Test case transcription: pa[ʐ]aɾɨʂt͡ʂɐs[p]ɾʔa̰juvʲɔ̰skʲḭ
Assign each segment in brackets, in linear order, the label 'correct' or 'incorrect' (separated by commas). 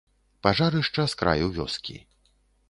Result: correct, incorrect